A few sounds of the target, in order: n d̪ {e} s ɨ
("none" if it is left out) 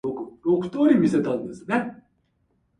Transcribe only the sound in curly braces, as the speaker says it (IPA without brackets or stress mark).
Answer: e